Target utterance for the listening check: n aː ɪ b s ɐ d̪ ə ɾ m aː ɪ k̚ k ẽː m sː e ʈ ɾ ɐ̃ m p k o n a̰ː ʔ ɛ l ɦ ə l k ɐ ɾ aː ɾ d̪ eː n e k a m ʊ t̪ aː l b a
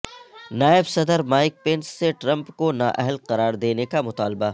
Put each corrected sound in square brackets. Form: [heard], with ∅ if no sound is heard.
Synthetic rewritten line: n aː ɪ b s ɐ d̪ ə ɾ m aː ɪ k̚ [p] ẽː [n] sː e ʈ ɾ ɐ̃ m p k o n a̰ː ʔ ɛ [∅] ɦ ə l [q] ɐ ɾ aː ɾ d̪ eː n e k a m ʊ t̪ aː l b a